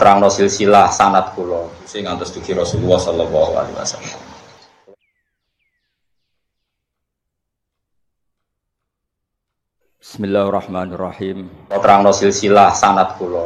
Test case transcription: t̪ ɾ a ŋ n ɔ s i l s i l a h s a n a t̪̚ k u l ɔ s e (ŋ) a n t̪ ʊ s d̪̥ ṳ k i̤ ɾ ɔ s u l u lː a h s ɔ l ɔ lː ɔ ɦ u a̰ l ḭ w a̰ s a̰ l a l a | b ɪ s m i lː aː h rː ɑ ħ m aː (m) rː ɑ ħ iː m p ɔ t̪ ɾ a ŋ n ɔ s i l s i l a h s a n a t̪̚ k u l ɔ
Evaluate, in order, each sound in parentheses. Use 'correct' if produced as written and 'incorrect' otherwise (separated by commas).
correct, incorrect